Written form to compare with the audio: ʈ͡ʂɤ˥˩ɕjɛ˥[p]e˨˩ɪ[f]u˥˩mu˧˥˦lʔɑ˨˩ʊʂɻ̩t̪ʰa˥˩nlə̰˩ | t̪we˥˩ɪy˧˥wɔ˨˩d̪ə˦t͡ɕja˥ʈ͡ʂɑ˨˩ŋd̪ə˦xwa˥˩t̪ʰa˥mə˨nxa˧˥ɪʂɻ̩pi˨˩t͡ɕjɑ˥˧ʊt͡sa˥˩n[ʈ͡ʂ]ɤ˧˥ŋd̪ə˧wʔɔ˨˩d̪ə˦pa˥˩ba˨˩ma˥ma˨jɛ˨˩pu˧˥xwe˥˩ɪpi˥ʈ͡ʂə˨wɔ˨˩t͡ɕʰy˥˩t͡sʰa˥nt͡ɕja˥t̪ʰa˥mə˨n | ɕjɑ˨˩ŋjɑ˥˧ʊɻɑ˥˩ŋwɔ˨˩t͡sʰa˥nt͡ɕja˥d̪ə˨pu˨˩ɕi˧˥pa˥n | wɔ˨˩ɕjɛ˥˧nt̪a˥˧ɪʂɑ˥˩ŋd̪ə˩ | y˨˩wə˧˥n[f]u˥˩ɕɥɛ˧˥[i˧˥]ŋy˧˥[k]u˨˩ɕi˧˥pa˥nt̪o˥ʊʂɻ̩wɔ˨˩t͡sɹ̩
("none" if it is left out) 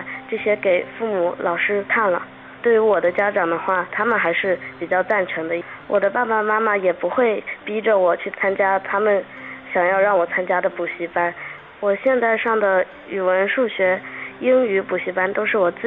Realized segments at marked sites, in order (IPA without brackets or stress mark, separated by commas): k, f, ʈ͡ʂʰ, ʂ, i˥, p